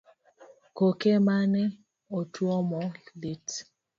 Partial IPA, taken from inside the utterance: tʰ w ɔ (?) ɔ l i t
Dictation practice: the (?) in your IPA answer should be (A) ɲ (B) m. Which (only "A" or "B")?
B